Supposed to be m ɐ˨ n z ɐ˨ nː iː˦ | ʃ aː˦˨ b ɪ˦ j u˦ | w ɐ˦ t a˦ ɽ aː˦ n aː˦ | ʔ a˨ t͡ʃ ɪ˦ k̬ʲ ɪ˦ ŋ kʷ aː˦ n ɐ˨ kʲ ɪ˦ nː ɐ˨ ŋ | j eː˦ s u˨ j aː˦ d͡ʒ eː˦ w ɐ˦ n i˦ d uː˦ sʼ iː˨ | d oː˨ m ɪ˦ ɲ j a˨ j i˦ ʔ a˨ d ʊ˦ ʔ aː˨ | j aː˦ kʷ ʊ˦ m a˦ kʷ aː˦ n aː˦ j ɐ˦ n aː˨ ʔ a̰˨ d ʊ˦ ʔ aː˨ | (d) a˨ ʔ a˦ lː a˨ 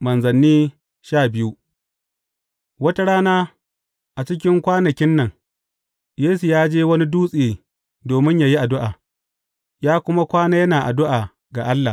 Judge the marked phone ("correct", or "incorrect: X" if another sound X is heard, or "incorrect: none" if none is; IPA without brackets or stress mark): incorrect: ɡ